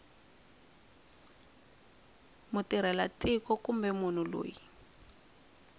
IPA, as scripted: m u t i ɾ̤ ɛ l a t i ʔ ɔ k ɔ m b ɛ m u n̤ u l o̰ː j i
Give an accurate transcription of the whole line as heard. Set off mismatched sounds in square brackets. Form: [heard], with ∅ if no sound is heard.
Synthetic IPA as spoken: m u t i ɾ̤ ɛ l a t i [k] ɔ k [u] m b ɛ m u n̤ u l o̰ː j i